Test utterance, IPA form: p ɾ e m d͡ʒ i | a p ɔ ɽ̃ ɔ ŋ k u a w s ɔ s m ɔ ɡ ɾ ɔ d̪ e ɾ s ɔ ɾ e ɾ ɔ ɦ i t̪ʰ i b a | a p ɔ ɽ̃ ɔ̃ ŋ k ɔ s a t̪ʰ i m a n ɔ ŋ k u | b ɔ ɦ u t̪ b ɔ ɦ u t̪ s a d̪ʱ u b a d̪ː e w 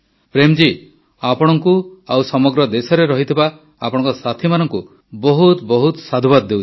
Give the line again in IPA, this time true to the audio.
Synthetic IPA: p ɾ e m d͡ʒ i | a p ɔ ɽ̃ ɔ ŋ k u a w s ɔ m ɔ ɡ ɾ ɔ d̪ e s ɔ ɾ e ɾ ɔ ɦ i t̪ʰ i b a | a p ɔ ɽ̃ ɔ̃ ŋ k ɔ s a t̪ʰ i m a n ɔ ŋ k u | b ɔ ɦ u t̪ b ɔ ɦ u t̪ s a d̪ʱ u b a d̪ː e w